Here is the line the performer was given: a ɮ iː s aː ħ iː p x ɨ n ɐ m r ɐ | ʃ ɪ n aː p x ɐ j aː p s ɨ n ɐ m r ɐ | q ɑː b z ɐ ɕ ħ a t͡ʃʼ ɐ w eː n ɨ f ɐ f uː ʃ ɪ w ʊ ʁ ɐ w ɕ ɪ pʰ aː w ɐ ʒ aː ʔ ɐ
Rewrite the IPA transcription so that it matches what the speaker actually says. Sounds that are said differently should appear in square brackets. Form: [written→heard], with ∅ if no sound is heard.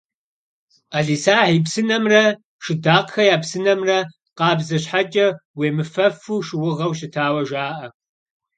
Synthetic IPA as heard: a ɮ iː s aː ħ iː p [x→s] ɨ n ɐ m r ɐ | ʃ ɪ [n→d] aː [p→q] x ɐ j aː p s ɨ n ɐ m r ɐ | q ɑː b z ɐ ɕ ħ a t͡ʃʼ ɐ w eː [n→m] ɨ f ɐ f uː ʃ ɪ w ʊ ʁ ɐ w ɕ ɪ [pʰ→tʰ] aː w ɐ ʒ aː ʔ ɐ